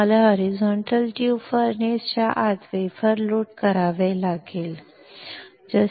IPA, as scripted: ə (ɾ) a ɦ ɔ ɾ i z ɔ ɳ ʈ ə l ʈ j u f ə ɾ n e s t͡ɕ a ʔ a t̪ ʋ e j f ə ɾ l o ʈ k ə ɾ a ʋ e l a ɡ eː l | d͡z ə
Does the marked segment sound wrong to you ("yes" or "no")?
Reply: yes